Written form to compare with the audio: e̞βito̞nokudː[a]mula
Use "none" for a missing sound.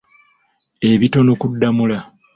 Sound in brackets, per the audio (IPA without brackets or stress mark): a